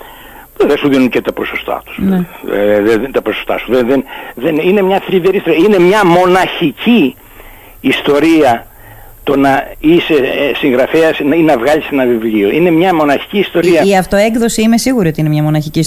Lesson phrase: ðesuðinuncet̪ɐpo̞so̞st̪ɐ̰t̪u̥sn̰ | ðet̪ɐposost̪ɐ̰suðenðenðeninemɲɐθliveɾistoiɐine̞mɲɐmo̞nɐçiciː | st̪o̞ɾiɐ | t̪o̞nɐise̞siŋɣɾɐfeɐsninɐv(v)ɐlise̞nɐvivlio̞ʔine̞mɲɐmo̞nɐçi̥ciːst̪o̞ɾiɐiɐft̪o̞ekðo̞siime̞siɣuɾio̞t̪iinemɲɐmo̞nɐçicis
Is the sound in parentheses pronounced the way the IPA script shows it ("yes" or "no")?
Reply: no